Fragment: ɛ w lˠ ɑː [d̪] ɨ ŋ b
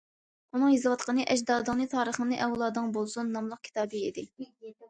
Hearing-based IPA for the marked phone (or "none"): d̪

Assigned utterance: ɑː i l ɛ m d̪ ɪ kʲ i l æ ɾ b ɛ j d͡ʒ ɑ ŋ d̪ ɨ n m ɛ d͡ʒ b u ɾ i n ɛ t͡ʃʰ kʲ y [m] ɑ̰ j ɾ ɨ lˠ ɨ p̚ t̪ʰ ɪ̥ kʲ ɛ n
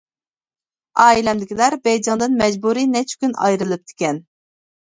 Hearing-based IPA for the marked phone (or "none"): n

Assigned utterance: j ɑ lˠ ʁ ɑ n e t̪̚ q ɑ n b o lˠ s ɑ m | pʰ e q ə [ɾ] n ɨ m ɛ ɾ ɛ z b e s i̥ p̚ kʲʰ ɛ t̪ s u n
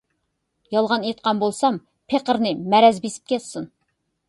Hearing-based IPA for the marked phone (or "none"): ɾ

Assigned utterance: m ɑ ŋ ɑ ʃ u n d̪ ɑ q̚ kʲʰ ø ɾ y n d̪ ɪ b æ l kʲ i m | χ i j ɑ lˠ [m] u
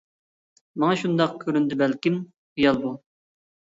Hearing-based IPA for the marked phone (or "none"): b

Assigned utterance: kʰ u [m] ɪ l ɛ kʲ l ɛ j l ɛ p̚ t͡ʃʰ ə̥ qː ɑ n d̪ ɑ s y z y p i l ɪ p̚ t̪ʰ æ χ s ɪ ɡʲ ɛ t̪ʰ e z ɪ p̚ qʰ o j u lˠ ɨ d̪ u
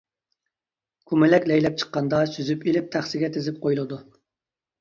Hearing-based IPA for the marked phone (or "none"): m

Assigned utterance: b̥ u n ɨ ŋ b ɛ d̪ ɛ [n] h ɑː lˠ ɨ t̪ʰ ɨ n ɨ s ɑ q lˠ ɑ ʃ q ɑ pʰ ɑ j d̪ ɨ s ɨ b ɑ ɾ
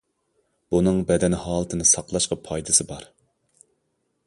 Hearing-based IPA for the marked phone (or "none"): n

